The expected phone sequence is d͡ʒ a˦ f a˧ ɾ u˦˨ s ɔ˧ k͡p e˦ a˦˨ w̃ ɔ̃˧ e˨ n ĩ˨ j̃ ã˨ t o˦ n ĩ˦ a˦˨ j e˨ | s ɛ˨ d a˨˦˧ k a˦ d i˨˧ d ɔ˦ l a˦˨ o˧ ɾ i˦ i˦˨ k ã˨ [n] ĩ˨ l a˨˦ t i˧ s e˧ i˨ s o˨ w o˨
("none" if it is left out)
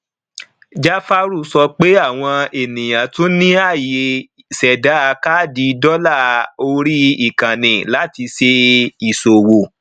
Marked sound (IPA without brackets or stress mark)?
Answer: n